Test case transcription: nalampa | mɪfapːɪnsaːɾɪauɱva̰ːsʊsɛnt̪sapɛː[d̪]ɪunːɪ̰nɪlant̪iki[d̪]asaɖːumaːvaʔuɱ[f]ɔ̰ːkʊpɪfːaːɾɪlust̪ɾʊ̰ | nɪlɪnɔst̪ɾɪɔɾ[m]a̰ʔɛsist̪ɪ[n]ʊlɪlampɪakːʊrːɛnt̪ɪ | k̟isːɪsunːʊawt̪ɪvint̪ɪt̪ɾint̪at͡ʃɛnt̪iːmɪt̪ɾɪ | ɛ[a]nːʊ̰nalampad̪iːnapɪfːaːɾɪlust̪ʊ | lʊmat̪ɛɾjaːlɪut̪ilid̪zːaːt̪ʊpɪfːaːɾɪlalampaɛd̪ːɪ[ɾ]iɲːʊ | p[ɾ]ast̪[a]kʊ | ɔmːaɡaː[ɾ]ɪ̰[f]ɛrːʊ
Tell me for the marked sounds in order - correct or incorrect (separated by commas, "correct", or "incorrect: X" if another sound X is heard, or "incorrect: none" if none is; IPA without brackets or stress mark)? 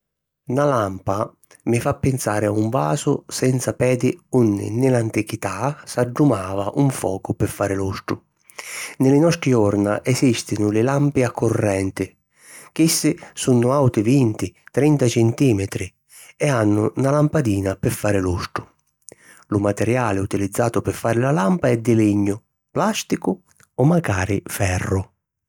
correct, incorrect: t̪, correct, incorrect: n, correct, correct, incorrect: l, incorrect: l, incorrect: i, correct, correct